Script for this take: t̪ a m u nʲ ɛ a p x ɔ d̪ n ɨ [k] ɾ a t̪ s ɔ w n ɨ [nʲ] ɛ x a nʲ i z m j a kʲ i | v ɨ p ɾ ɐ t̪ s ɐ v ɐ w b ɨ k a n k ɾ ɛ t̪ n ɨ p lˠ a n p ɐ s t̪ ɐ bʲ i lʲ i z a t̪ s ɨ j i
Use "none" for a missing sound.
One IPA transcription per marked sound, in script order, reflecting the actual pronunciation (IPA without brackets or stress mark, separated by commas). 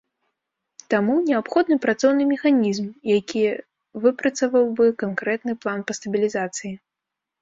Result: p, mʲ